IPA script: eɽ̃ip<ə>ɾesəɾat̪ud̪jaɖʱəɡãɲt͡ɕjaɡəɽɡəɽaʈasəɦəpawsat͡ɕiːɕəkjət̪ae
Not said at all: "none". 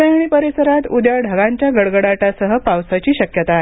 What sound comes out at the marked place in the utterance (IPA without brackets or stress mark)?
ə